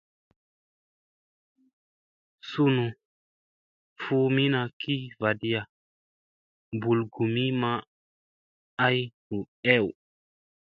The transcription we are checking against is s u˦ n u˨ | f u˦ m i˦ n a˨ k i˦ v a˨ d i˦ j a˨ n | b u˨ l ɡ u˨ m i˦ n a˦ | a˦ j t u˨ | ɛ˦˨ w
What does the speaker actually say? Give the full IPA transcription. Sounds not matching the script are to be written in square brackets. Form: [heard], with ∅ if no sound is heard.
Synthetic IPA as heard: s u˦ n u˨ | f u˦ m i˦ n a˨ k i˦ v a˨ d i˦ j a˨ [∅] | b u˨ l ɡ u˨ m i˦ [m] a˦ | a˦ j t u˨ | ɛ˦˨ w